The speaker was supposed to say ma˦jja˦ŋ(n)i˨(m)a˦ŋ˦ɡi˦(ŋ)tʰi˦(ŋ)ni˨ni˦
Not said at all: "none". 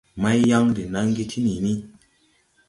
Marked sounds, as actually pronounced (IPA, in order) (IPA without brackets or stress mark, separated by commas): d, n, none, none